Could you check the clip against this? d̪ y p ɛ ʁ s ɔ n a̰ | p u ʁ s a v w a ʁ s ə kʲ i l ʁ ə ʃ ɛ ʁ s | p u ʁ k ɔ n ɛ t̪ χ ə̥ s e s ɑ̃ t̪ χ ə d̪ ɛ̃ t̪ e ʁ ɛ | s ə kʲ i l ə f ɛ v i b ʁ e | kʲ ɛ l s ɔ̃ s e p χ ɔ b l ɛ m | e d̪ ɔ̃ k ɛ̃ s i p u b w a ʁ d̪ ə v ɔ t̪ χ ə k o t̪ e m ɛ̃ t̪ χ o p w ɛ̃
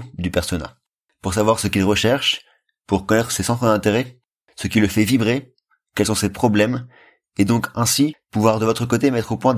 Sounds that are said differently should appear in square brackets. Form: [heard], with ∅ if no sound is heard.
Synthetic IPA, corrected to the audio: d̪ y p ɛ ʁ s ɔ n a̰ | p u ʁ s a v w a ʁ s ə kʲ i l ʁ ə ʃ ɛ ʁ [ʃ] | p u ʁ k ɔ n ɛ t̪ χ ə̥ s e s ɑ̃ t̪ χ ə d̪ ɛ̃ t̪ e ʁ ɛ | s ə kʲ i l ə f ɛ v i b ʁ e | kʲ ɛ l s ɔ̃ s e p χ ɔ b l ɛ m | e d̪ ɔ̃ k ɛ̃ s i p u [v] w a ʁ d̪ ə v ɔ t̪ χ ə k o t̪ e m [ɛ] t̪ χ o p w ɛ̃